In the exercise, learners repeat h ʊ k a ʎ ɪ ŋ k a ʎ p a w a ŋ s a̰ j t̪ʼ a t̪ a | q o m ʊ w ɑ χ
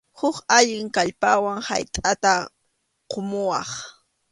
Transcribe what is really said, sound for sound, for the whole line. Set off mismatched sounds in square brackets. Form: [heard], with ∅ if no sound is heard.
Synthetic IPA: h ʊ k a ʎ ɪ ŋ k a ʎ p a w a ŋ [h] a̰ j t̪ʼ a t̪ a | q o m ʊ w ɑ χ